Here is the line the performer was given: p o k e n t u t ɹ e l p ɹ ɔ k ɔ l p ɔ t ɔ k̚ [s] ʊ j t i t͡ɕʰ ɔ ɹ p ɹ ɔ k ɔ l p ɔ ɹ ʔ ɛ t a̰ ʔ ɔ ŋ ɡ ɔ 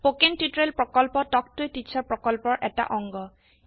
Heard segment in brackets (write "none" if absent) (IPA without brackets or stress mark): t